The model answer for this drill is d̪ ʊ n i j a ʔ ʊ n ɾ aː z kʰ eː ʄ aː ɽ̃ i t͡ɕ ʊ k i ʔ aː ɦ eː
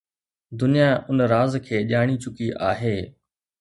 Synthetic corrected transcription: d̪ ʊ n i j a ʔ ʊ n ɾ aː z kʰ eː ʄ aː ɽ̃ i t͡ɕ ʊ k i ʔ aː ɦ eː